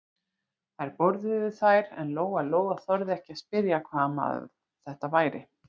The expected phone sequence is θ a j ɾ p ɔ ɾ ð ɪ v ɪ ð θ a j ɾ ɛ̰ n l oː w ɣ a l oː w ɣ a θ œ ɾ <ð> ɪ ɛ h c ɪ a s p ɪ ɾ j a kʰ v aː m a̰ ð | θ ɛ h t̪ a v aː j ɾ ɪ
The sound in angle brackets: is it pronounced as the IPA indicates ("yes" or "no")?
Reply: yes